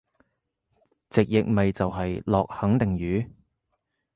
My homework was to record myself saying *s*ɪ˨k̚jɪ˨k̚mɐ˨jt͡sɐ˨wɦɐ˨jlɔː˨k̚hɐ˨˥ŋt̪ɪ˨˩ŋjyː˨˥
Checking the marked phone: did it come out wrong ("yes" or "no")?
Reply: yes